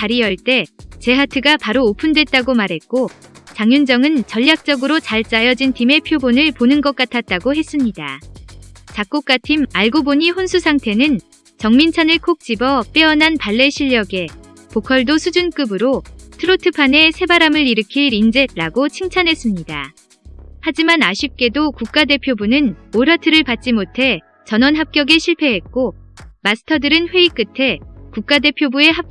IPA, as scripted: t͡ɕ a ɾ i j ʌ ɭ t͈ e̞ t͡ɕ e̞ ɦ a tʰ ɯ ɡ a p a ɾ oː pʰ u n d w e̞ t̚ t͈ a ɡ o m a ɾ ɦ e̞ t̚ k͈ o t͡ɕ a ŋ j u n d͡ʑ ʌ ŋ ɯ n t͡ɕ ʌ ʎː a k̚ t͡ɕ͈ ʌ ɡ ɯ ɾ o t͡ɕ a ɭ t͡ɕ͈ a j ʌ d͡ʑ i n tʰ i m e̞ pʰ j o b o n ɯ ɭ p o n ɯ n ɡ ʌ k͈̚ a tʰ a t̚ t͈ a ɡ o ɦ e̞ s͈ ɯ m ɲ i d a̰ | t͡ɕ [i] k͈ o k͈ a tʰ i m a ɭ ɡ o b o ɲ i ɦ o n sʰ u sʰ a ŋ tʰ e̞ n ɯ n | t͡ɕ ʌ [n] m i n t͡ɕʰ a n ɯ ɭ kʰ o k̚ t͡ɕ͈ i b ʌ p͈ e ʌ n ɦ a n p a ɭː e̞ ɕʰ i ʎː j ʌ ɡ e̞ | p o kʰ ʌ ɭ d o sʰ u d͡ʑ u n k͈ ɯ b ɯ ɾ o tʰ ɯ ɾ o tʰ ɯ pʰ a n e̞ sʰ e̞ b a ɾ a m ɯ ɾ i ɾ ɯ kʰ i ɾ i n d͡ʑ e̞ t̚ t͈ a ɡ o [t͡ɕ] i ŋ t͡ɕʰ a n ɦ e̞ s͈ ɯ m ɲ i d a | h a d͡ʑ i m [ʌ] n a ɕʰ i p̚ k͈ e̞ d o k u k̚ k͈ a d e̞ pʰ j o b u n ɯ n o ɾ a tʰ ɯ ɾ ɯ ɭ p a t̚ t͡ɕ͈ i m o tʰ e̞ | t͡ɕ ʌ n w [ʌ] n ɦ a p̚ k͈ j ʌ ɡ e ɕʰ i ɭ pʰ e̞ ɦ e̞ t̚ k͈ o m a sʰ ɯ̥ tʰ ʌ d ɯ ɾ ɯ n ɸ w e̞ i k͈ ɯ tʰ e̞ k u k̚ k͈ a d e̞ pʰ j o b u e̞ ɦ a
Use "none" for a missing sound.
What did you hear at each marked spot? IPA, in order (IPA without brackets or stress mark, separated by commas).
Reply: a, ŋ, t͡ɕʰ, a, ʌ